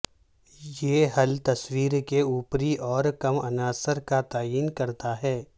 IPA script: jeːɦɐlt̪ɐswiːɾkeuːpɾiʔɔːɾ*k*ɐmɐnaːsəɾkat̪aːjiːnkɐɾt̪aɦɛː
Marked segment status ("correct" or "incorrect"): correct